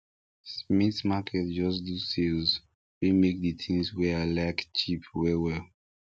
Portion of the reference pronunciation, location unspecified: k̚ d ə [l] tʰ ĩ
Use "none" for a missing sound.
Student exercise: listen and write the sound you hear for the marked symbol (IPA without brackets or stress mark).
none